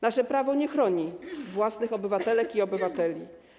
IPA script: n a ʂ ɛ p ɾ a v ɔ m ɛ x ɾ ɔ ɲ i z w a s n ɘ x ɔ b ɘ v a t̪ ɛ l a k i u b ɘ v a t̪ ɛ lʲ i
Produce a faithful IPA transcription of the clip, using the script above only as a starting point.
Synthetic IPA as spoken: n a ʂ ɛ p ɾ a v ɔ ɲ ɛ x ɾ ɔ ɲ i v w a s n ɘ x ɔ b ɘ v a t̪ ɛ l ɛ k i ɔ b ɘ v a t̪ ɛ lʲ i